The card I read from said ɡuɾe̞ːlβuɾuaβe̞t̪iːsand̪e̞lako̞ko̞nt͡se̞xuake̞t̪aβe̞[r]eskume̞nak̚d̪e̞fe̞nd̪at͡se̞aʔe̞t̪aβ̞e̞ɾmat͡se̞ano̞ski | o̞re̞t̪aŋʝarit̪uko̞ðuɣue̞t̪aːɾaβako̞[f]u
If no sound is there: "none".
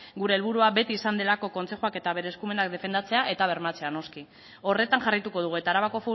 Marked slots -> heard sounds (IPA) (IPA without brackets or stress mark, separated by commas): ɾ, f